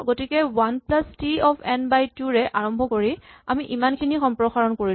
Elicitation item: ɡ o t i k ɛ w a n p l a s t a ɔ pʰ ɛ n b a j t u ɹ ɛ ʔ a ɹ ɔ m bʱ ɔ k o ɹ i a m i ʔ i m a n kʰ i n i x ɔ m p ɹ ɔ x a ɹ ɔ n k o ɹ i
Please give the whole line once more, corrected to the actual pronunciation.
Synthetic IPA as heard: ɡ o t i k ɛ w a n p l a s t i ɔ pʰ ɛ n b a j t u ɹ ɛ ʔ a ɹ ɔ m bʱ ɔ k o ɹ i a m i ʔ i m a n kʰ i n i x ɔ m p ɹ ɔ x a ɹ ɔ n k o ɹ i